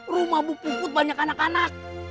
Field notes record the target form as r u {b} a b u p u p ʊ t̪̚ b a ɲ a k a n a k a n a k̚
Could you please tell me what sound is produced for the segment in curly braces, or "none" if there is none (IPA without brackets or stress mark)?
m